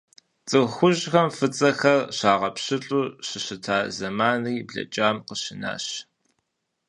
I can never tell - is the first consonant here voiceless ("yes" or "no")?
yes